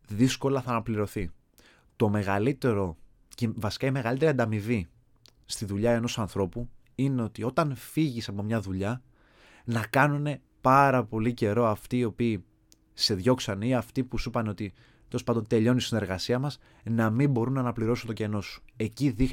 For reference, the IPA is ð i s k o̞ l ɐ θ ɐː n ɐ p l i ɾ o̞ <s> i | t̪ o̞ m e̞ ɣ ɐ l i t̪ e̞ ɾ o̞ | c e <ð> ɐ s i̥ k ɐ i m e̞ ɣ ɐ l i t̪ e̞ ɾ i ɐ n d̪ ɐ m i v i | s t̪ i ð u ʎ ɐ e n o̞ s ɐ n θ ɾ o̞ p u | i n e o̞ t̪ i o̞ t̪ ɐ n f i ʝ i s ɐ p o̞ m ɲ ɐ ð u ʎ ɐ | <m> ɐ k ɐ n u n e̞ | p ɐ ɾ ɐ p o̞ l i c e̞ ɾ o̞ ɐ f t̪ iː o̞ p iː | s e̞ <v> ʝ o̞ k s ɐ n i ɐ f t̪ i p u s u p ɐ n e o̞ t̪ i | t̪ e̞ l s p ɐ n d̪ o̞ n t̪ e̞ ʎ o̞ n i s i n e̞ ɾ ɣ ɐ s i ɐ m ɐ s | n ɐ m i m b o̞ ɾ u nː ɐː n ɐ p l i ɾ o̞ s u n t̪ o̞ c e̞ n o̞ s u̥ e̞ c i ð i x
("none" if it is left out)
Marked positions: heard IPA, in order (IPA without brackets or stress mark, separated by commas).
θ, v, n, ð